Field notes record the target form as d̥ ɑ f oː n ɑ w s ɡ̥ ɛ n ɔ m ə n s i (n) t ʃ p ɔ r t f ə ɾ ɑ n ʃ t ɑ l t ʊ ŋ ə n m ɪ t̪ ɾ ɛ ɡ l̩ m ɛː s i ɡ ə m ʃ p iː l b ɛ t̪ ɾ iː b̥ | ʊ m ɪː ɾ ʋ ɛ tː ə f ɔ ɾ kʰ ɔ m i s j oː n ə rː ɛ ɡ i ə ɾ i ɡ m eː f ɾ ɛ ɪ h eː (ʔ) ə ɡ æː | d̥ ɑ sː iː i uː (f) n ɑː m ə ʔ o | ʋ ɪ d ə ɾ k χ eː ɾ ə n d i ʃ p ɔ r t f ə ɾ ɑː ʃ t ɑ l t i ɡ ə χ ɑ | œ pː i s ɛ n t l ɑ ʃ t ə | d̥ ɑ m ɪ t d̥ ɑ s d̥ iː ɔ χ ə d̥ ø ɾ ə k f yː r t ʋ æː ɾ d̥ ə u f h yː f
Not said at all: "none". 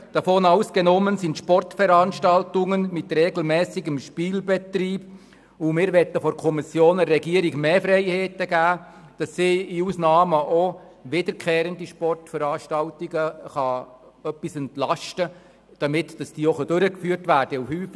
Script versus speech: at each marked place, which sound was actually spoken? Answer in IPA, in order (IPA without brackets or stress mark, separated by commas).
n, t, s